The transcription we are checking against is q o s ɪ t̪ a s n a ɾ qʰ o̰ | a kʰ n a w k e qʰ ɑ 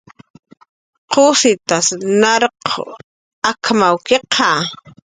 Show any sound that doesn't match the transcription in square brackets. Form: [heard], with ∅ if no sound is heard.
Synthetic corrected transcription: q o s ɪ t̪ a s n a ɾ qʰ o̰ | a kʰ [m] a w k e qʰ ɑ